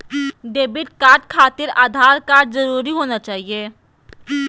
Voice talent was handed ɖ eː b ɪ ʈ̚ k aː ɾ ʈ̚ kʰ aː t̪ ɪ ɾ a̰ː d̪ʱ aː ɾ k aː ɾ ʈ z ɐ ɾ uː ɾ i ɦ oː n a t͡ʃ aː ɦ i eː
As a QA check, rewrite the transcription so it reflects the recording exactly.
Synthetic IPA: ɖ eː b ɪ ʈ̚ k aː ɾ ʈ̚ kʰ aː t̪ ɪ ɾ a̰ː d̪ʱ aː ɾ k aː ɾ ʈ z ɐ ɾ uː ɾ i ɦ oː n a t͡ʃ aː ɦ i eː